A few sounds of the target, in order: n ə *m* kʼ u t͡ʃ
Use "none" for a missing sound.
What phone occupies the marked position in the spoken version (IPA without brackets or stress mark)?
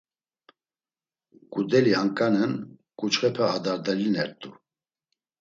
n